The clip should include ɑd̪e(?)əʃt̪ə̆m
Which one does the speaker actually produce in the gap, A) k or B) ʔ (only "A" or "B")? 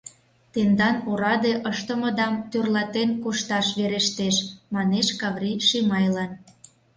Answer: B